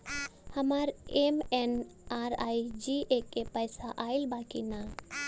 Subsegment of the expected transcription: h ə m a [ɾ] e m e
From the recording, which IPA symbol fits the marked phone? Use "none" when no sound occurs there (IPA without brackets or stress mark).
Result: ɾ